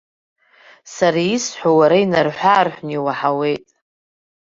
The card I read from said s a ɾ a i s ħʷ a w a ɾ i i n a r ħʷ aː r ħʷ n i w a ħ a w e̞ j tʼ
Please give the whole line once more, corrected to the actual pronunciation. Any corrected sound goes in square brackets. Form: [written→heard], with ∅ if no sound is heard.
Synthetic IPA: s a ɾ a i s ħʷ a w a ɾ [i→a] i n a r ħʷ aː r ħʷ n i w a ħ a w e̞ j tʼ